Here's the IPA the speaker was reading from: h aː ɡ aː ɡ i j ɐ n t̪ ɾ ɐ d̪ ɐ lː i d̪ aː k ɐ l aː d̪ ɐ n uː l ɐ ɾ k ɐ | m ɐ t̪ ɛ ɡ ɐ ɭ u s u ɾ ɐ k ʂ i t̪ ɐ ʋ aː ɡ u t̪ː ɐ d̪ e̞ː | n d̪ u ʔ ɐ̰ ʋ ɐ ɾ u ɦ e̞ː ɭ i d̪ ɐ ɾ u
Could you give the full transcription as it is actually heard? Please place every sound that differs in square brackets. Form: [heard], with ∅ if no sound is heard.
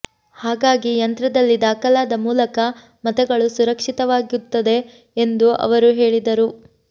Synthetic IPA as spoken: h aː ɡ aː ɡ i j ɐ n t̪ ɾ ɐ d̪ ɐ lː i d̪ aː k ɐ l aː d̪ ɐ [m] uː l ɐ [∅] k ɐ | m ɐ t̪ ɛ ɡ ɐ ɭ u s u ɾ ɐ k ʂ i t̪ ɐ ʋ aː ɡ u t̪ː ɐ d̪ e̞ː | n d̪ u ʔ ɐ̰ ʋ ɐ ɾ u ɦ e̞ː ɭ i d̪ ɐ ɾ u